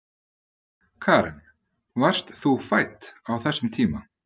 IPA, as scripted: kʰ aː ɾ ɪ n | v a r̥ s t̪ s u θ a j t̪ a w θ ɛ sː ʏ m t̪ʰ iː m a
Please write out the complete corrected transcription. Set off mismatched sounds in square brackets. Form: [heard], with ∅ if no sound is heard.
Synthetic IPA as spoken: kʰ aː ɾ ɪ n | v a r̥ s t̪ [θ] u [f] a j t̪ a w θ ɛ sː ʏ m t̪ʰ iː m a